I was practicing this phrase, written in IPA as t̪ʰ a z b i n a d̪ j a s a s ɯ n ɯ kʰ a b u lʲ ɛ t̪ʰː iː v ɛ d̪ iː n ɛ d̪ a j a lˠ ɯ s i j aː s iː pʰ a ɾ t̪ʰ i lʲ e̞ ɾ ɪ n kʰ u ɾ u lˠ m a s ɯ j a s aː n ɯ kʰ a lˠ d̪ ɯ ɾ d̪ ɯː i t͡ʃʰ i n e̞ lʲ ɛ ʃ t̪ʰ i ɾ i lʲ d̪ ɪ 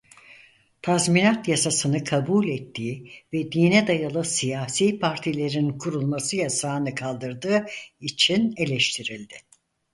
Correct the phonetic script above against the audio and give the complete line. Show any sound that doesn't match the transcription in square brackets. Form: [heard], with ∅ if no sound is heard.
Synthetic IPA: t̪ʰ a z [m] i n a [t̪] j a s a s ɯ n ɯ kʰ a b u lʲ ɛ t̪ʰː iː v ɛ d̪ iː n ɛ d̪ a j a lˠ ɯ s i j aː s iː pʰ a ɾ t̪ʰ i lʲ e̞ ɾ [i] n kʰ u ɾ u lˠ m a s ɯ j a s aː n ɯ kʰ a lˠ d̪ ɯ ɾ d̪ ɯː i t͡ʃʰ i n e̞ lʲ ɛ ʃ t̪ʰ i ɾ i lʲ d̪ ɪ